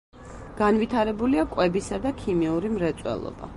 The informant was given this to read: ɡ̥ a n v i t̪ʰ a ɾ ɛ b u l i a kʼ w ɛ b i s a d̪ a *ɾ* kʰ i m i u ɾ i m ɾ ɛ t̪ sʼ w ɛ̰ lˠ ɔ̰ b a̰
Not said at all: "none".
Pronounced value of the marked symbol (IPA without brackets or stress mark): none